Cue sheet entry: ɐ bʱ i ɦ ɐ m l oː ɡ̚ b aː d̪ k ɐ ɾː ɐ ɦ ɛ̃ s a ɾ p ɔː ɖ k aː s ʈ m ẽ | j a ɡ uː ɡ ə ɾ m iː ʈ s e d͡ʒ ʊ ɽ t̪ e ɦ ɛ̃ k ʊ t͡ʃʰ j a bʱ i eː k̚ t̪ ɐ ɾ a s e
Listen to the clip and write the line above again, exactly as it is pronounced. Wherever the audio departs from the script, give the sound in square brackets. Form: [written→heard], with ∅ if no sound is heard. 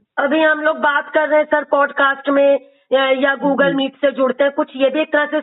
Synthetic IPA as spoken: ɐ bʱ i ɦ ɐ m l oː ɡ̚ b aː [d̪→t̪] k ɐ ɾː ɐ ɦ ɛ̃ s [a→ɐ] ɾ p ɔː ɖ k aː s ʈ m ẽ | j a ɡ uː ɡ ə [ɾ→l] m iː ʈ s e d͡ʒ ʊ ɽ t̪ e ɦ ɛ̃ k ʊ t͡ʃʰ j [a→e] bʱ i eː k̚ t̪ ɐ ɾ a s e